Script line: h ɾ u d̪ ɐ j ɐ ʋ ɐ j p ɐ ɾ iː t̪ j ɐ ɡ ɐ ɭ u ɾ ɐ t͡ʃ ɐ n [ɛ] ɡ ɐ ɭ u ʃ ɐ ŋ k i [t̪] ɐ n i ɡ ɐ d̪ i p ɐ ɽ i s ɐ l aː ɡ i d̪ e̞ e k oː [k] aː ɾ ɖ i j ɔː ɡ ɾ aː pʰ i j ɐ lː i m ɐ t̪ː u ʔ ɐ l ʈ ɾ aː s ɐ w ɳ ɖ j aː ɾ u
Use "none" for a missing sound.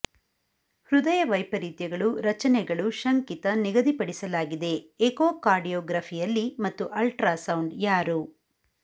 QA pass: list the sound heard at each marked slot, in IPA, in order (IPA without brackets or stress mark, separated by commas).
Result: ɛ, t̪, k